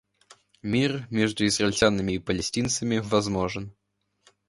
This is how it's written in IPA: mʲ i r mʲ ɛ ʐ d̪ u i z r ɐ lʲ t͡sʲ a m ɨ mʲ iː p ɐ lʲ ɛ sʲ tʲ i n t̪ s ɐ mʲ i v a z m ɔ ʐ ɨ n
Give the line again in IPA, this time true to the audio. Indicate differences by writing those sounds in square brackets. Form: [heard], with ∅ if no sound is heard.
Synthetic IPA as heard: mʲ i r mʲ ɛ ʐ d̪ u i z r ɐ lʲ t͡sʲ a [n] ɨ mʲ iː p ɐ lʲ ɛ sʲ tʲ i n t̪ s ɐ mʲ i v a z m ɔ ʐ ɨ n